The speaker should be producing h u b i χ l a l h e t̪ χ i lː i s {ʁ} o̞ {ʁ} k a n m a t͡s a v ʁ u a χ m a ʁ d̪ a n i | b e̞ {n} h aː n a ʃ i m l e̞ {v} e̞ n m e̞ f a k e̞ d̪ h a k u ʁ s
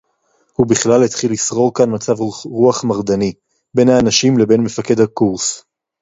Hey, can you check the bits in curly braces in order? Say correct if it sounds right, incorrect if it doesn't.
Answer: correct, correct, correct, incorrect: b

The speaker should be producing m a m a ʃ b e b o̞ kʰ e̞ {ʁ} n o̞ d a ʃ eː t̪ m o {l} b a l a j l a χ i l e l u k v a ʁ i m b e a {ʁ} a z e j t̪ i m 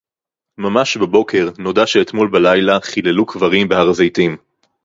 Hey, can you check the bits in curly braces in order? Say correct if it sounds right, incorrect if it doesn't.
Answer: correct, correct, correct

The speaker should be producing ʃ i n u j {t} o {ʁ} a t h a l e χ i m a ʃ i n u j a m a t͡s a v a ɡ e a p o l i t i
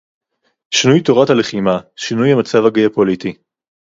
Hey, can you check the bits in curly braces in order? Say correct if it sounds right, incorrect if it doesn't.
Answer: correct, correct

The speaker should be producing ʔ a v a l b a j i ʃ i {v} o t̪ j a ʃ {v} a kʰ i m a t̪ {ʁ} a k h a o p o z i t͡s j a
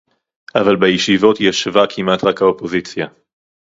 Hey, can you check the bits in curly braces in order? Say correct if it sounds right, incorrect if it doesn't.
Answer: correct, correct, correct

